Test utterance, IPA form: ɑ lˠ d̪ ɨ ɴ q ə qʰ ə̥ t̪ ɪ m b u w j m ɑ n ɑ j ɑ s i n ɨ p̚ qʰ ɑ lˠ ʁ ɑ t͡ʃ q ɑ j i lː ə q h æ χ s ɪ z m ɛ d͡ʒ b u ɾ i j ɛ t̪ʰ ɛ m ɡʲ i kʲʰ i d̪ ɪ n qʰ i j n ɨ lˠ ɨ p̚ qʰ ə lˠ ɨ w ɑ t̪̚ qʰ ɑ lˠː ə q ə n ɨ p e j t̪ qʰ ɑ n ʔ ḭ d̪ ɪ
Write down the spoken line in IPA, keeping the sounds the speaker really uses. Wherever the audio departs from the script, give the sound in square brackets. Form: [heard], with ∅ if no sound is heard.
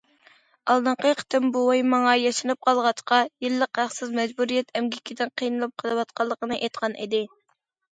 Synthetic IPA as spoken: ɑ lˠ d̪ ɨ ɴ q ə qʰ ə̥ t̪ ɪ m b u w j m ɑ [ŋ] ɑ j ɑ [ʃ] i n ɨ p̚ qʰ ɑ lˠ ʁ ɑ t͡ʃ q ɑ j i lː ə q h æ χ s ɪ z m ɛ d͡ʒ b u ɾ i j ɛ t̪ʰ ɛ m ɡʲ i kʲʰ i d̪ ɪ n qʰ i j n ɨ lˠ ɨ p̚ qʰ ə lˠ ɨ w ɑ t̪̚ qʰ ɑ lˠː ə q ə n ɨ [ʔ] e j t̪ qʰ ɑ n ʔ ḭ d̪ ɪ